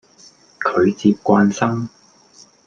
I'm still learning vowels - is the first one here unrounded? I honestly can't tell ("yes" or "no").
no